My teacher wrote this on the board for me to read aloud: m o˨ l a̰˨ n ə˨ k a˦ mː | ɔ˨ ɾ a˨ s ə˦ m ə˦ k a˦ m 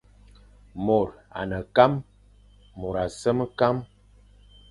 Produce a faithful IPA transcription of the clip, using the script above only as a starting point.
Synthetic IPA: m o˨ ɾ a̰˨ n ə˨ k a˦ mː | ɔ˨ ɾ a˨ s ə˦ m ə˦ k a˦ m